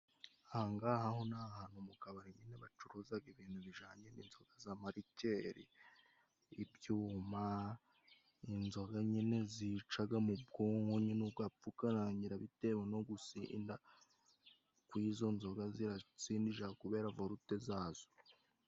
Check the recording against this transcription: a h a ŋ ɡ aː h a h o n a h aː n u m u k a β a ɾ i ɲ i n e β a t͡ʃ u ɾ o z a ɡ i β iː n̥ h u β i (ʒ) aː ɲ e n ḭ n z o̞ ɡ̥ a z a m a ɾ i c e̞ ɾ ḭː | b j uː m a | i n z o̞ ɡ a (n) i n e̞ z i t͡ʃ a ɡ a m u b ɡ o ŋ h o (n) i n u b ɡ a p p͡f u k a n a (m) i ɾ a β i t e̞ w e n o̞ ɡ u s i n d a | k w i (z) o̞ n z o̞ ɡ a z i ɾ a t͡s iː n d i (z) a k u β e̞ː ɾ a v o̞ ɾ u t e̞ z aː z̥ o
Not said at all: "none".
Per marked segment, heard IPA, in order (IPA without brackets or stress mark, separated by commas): ʒ, ɲ, ɲ, ɲ, z, ʒ